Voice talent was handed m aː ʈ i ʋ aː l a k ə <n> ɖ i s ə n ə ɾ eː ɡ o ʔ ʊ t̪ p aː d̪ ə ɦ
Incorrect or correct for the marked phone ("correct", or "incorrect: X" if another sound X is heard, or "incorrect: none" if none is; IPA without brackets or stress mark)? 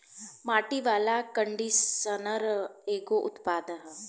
incorrect: ɳ